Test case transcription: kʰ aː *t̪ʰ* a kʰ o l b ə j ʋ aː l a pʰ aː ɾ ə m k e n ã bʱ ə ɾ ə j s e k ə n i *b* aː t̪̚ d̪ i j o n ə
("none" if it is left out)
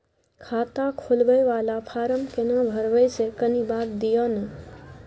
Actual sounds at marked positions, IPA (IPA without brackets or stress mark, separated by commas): t̪, b